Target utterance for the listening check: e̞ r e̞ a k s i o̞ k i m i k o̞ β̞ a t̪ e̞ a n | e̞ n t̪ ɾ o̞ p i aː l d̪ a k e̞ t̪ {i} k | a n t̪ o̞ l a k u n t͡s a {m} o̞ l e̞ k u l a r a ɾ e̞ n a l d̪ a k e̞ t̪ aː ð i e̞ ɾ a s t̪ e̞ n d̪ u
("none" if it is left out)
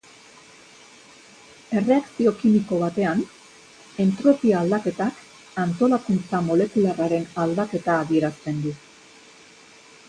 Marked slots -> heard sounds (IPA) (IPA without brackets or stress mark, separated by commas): a, m